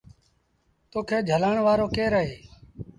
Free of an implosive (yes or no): yes